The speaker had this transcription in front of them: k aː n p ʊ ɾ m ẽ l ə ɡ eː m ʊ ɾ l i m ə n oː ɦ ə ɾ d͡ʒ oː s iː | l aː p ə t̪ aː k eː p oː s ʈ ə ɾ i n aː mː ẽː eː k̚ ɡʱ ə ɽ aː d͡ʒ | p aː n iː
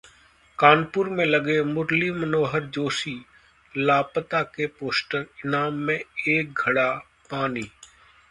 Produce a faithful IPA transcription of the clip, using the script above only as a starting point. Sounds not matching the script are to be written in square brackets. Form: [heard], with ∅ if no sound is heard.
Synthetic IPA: k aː n p ʊ ɾ m ẽ l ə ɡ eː m ʊ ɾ l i m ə n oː ɦ ə ɾ d͡ʒ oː s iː | l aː p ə t̪ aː k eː p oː s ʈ ə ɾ [ɪ] n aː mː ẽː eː k̚ ɡʱ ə ɽ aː [∅] | p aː n iː